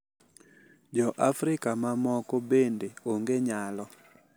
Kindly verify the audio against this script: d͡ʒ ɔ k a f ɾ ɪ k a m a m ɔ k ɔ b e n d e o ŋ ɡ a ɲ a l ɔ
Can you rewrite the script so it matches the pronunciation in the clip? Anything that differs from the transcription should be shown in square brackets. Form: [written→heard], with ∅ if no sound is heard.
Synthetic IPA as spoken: d͡ʒ ɔ [k→ʔ] a f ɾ ɪ k a m a m ɔ k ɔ b e n d e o ŋ ɡ [a→e] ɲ a l ɔ

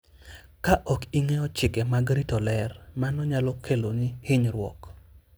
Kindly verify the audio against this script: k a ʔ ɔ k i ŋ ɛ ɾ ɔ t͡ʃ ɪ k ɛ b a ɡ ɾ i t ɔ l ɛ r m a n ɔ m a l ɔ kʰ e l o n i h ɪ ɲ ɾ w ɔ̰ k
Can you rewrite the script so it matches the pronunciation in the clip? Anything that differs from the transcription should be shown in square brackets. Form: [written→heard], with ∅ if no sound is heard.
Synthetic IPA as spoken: k a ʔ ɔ k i ŋ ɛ [ɾ→∅] ɔ t͡ʃ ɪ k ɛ [b→m] a ɡ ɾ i t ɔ l ɛ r m a n ɔ [m→ɲ] a l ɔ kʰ e l o n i h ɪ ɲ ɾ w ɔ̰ k

